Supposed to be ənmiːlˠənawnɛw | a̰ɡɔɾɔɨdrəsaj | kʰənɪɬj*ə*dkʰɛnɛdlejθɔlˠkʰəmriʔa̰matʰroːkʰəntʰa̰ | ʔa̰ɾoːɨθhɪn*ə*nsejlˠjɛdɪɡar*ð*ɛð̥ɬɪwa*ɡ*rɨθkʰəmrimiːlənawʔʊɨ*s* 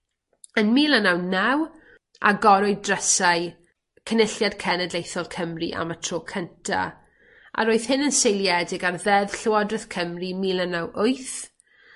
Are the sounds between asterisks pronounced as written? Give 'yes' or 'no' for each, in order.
no, yes, yes, no, no

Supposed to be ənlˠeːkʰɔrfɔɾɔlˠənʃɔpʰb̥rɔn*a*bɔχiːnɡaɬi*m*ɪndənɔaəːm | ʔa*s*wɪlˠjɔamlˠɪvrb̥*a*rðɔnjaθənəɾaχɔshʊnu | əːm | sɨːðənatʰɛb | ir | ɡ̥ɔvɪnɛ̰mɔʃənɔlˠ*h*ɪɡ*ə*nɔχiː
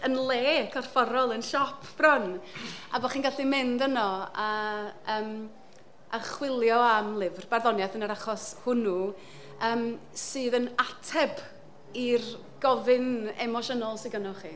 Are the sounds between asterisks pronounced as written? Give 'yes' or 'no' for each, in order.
yes, yes, no, yes, no, yes

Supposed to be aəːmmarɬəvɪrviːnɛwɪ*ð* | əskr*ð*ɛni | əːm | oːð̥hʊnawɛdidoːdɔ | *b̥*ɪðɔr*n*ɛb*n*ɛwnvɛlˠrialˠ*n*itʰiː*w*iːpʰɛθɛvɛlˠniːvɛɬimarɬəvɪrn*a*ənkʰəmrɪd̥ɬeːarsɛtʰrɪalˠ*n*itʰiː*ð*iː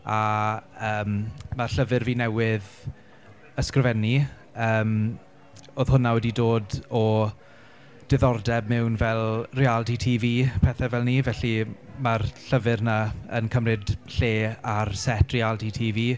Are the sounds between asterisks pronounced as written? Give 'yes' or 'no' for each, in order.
yes, no, no, no, no, no, no, yes, no, no

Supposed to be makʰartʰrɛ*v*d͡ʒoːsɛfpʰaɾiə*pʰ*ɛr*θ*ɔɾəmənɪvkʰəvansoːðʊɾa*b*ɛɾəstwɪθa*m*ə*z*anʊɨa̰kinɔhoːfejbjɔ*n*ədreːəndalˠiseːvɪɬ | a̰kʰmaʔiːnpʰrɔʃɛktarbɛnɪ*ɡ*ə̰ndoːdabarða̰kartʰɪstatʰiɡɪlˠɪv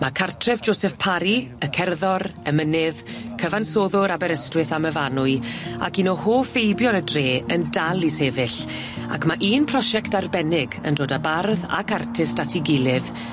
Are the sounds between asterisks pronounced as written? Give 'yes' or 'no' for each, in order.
yes, no, no, yes, yes, no, yes, yes

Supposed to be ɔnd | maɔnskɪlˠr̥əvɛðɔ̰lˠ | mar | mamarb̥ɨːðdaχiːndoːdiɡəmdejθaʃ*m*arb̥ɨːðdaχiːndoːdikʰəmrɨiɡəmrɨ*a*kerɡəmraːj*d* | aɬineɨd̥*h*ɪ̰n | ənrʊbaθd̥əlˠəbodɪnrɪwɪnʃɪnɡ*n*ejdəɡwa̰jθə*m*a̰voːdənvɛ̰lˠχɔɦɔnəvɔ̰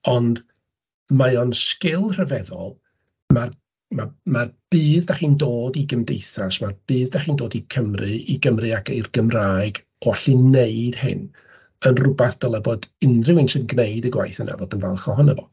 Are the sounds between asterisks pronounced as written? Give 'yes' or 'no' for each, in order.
yes, yes, no, yes, yes, no

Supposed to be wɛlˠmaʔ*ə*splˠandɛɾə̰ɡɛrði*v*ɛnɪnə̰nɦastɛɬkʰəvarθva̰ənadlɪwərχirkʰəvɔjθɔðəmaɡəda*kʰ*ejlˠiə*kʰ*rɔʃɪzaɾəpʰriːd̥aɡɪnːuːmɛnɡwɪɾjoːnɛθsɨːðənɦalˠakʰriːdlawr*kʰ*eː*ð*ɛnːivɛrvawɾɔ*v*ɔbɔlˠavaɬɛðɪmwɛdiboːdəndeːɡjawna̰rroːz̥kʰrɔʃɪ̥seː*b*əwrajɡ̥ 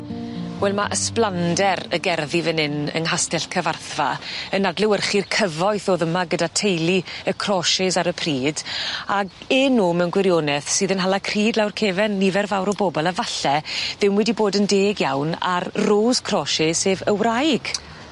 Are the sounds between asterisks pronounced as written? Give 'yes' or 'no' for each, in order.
yes, yes, no, yes, yes, no, no, no

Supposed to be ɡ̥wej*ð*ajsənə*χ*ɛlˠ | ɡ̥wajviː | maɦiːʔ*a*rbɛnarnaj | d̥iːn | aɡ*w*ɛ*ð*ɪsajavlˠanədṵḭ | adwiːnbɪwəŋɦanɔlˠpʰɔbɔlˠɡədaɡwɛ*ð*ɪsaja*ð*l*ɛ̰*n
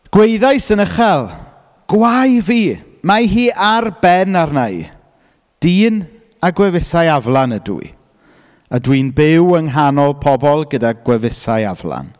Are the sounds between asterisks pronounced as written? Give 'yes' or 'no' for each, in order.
yes, yes, yes, yes, no, no, no, no

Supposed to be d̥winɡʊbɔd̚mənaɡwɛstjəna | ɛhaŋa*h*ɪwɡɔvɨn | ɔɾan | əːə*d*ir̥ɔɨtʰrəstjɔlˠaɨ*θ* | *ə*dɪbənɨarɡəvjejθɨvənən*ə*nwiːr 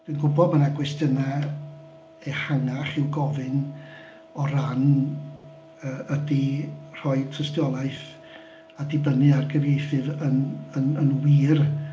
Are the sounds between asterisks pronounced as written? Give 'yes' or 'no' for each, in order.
no, yes, yes, no, yes

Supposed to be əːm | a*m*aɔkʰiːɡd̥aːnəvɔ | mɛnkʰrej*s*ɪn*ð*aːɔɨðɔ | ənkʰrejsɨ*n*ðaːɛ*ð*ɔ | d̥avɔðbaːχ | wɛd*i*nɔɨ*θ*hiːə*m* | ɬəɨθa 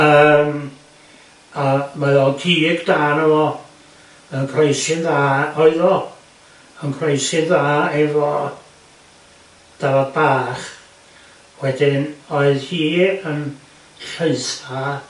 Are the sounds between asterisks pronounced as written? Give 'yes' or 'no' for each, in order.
yes, yes, yes, yes, no, no, no, no

